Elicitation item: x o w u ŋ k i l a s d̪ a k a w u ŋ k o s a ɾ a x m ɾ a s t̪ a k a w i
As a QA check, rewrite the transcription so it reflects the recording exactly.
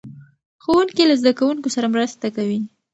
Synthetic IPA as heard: x o w u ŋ k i l a z d̪ a k a w u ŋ k o s a ɾ a m ɾ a s t̪ a k a w i